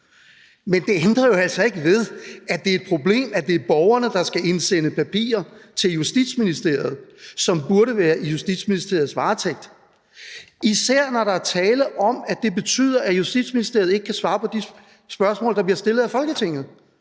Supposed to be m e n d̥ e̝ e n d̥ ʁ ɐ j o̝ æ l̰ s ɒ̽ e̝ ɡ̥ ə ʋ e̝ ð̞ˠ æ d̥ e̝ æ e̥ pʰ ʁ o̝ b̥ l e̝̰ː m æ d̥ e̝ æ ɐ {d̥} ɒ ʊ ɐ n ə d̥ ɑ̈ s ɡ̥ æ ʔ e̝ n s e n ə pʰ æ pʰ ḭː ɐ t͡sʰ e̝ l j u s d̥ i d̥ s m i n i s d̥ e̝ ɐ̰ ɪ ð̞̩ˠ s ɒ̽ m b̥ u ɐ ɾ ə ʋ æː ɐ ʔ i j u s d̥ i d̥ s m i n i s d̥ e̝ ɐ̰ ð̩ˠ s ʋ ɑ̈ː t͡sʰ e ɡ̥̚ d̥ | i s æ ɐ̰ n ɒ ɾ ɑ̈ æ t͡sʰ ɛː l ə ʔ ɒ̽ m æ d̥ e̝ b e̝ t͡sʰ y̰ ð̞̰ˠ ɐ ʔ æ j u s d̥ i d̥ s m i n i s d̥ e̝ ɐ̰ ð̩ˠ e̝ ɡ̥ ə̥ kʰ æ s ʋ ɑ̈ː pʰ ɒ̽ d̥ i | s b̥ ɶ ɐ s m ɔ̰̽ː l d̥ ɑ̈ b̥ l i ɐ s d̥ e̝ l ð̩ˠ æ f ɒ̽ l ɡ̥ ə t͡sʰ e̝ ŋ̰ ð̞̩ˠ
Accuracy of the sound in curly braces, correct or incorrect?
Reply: incorrect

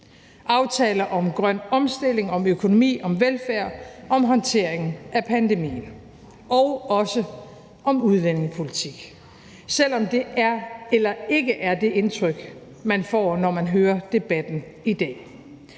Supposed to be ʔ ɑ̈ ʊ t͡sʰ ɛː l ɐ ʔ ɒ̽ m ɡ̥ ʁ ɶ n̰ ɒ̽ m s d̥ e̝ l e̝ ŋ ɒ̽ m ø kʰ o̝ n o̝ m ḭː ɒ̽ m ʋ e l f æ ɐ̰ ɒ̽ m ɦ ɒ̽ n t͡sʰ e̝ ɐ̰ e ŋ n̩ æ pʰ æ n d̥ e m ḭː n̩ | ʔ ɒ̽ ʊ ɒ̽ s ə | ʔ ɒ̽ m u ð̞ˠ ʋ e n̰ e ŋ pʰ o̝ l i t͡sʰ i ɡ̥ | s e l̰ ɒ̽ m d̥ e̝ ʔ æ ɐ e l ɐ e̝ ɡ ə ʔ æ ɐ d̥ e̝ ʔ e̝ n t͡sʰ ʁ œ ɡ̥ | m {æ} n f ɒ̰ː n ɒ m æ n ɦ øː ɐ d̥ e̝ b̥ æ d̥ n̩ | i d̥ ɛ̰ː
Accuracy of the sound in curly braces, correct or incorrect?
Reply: correct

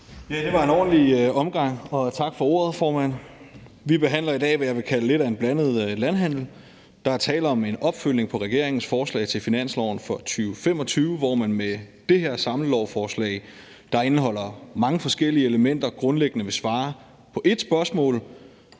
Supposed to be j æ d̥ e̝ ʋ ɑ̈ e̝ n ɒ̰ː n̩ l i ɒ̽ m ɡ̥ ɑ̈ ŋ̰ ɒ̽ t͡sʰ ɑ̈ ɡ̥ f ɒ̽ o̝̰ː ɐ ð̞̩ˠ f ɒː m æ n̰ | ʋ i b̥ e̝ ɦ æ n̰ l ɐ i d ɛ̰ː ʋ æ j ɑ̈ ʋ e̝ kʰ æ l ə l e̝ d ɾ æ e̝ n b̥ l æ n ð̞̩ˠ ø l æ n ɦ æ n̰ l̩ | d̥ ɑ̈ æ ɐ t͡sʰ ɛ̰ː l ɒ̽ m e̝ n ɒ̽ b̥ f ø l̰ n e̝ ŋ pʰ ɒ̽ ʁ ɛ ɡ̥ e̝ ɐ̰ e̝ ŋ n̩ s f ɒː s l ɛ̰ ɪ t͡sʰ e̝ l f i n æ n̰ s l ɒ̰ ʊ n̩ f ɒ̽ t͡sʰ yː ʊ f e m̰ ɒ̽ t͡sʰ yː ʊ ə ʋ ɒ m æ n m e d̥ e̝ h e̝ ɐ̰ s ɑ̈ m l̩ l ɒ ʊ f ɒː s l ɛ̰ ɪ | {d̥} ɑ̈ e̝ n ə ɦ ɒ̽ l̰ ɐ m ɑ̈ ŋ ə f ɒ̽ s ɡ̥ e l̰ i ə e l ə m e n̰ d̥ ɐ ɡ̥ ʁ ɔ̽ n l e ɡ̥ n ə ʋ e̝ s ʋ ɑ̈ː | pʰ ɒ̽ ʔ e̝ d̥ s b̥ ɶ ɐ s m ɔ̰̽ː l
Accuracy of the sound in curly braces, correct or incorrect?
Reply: correct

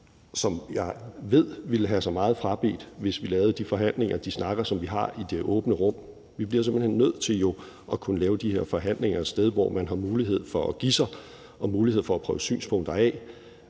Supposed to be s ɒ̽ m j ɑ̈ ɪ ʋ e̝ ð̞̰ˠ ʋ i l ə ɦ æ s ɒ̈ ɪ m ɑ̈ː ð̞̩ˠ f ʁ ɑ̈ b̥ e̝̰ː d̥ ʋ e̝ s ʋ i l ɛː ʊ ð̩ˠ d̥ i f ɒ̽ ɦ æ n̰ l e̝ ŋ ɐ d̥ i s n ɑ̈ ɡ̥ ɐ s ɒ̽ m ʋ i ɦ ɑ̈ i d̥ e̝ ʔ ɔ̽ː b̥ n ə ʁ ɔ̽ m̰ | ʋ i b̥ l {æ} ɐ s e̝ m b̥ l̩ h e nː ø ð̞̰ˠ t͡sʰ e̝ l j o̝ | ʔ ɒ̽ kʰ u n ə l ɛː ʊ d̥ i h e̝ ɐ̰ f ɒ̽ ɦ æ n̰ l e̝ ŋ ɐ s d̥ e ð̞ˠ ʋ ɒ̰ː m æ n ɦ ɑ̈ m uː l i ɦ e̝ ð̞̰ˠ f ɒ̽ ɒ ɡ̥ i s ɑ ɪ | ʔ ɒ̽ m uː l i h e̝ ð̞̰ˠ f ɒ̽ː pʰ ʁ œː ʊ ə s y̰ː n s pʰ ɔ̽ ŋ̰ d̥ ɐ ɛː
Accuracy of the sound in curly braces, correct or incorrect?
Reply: incorrect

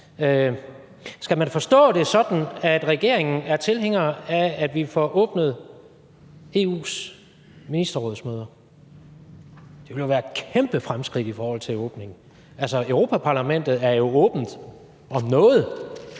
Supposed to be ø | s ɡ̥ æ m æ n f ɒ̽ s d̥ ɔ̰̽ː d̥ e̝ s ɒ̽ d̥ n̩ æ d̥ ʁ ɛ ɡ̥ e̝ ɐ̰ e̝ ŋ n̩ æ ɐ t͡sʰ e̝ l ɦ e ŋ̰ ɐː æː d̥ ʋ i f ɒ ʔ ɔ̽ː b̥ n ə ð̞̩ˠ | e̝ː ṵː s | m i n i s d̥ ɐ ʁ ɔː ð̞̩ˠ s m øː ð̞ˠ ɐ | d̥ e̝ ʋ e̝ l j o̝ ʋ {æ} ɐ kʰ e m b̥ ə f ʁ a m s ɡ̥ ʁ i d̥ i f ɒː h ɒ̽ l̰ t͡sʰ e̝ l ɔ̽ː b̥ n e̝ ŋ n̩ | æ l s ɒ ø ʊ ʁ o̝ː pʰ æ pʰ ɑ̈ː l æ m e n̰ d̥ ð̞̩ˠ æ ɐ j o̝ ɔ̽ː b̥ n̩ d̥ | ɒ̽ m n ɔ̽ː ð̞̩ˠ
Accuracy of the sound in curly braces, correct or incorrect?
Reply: incorrect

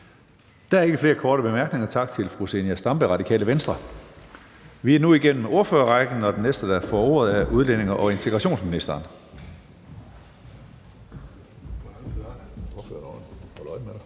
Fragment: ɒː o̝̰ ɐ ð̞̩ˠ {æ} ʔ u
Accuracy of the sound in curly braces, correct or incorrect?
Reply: correct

